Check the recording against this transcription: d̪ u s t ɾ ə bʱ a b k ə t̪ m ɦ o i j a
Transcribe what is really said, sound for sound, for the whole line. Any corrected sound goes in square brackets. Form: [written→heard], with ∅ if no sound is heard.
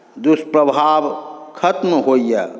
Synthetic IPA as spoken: d̪ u s [t→p] ɾ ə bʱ a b [k→kʰ] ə t̪ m ɦ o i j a